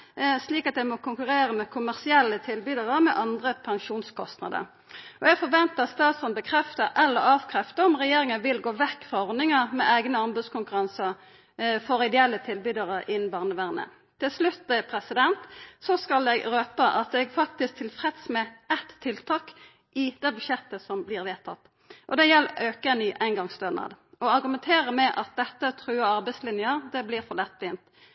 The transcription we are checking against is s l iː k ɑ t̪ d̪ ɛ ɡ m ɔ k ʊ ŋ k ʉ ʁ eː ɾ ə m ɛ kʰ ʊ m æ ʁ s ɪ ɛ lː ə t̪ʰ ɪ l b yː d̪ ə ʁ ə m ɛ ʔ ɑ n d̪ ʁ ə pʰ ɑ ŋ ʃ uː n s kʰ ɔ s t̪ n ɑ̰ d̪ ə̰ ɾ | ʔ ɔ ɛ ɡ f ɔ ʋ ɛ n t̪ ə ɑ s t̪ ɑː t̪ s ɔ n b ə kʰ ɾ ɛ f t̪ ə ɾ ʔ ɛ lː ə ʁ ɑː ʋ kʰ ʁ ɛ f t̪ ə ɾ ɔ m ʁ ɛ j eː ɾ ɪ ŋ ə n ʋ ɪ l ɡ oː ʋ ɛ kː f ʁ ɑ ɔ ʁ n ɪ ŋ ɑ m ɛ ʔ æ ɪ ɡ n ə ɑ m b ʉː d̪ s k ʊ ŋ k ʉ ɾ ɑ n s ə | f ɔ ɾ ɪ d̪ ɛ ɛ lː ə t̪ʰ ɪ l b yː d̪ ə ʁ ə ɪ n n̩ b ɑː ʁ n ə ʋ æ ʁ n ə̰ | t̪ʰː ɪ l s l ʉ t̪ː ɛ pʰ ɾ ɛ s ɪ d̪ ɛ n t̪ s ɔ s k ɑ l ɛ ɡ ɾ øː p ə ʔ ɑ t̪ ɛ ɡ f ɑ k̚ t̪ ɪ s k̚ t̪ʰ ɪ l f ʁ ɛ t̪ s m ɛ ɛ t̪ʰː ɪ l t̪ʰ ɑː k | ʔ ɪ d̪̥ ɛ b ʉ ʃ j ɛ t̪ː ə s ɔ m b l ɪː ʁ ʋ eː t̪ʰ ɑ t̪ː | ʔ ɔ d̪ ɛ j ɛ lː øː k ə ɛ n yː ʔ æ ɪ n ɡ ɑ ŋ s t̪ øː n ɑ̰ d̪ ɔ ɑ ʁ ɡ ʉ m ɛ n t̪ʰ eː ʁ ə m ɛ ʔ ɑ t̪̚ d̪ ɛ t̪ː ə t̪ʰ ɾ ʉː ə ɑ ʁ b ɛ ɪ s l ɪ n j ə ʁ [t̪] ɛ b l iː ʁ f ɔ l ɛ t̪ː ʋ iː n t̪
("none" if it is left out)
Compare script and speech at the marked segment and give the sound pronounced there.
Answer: d̪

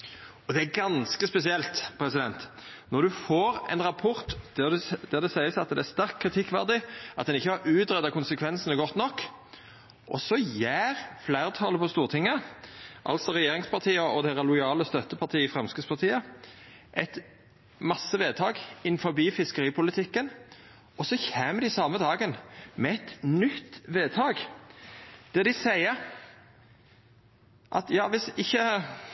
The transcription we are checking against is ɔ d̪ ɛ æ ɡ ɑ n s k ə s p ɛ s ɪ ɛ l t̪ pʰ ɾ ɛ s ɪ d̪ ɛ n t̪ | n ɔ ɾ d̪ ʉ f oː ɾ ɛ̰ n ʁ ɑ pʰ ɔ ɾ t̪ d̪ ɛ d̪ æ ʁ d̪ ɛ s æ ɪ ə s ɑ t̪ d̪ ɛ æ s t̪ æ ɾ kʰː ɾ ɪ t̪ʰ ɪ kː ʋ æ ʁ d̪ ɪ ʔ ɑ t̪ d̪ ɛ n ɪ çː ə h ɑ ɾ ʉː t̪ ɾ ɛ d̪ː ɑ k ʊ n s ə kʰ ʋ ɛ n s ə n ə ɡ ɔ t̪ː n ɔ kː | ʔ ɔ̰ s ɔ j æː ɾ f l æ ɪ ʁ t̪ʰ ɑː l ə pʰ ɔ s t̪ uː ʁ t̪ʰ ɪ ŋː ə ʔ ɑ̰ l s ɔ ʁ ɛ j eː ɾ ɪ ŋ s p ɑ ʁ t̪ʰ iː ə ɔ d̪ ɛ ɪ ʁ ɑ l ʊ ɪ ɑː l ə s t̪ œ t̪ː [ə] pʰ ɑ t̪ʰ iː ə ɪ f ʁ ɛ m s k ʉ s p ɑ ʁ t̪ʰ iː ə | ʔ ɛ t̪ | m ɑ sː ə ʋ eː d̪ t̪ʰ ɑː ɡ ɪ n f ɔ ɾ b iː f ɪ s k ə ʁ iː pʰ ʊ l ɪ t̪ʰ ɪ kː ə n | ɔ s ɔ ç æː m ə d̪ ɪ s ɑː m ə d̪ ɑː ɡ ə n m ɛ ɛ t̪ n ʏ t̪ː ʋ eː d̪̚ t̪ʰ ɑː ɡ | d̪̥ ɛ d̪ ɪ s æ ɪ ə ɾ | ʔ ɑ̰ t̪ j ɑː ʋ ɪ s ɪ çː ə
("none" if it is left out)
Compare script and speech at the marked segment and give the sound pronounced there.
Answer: ə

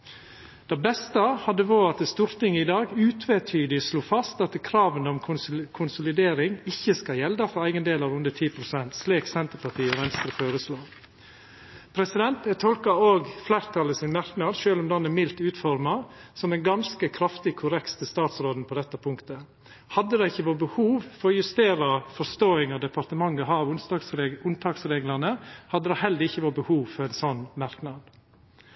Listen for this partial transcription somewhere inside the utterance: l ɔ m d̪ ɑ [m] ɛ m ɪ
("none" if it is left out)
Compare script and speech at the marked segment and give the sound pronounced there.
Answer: n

